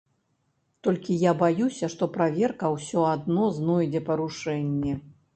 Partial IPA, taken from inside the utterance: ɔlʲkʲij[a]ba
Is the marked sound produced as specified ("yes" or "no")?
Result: yes